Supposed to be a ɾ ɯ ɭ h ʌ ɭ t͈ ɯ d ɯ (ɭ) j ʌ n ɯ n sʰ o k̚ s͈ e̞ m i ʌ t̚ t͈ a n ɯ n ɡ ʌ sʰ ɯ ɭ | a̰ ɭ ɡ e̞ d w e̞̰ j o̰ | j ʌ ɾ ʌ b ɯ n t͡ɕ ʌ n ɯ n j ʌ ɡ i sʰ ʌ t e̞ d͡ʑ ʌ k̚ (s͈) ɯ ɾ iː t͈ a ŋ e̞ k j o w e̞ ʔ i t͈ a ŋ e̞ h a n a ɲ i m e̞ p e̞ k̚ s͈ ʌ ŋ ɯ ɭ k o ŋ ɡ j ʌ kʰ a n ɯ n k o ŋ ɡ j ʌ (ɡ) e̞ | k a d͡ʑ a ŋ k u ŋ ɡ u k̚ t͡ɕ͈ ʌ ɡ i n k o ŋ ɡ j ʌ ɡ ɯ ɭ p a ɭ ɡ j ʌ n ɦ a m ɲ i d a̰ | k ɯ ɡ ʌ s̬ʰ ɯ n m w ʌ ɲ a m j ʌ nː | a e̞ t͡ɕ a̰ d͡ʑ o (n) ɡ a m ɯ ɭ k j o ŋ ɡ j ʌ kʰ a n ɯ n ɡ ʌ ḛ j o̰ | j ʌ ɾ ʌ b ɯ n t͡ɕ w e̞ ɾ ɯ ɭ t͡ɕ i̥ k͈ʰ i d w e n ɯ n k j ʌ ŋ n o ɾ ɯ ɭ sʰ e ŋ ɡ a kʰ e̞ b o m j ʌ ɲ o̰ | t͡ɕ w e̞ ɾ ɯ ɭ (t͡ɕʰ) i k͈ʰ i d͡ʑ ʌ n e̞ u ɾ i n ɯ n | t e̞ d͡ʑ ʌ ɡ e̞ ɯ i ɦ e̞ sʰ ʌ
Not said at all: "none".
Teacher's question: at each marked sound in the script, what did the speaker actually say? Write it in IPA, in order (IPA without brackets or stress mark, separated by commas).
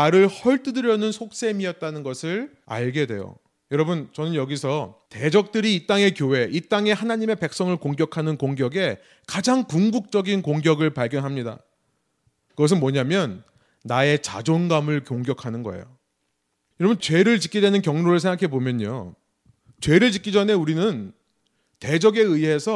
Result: ɾ, t͈, ɡ, n, t͡ɕ